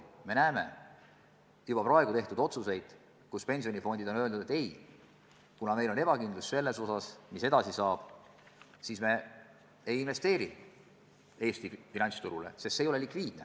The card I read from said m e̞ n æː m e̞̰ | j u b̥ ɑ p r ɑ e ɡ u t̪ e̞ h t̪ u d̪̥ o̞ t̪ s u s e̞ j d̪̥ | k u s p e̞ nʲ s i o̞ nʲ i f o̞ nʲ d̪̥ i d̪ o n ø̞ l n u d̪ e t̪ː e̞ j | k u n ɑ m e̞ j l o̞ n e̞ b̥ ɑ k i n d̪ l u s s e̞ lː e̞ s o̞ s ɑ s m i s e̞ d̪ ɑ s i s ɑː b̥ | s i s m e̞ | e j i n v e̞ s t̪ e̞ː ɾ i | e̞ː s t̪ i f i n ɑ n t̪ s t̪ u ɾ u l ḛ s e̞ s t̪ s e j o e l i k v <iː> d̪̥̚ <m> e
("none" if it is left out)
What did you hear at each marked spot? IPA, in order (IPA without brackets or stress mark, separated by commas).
iː, n